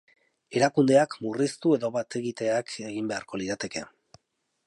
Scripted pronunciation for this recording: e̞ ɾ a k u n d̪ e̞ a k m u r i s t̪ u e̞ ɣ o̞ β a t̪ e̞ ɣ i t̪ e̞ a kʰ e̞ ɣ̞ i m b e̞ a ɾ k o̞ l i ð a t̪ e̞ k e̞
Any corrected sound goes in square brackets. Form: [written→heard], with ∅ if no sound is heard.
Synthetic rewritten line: e̞ ɾ a k u n d̪ e̞ a k m u r i s t̪ u e̞ [ɣ→ð] o̞ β a t̪ e̞ ɣ i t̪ e̞ a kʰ e̞ ɣ̞ i m b e̞ a ɾ k o̞ l i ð a t̪ e̞ k e̞